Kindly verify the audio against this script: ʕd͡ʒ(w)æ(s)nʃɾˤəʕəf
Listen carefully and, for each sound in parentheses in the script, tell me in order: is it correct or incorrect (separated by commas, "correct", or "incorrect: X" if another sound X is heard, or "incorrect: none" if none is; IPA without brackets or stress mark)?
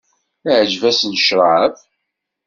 incorrect: v, correct